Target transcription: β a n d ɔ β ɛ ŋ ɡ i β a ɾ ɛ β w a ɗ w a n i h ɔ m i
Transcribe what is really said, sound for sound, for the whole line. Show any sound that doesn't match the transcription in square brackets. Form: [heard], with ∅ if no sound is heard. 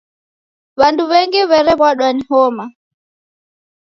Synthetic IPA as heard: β a n d [u] β ɛ ŋ ɡ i β [ɛ] ɾ ɛ β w a ɗ w a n i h ɔ m [a]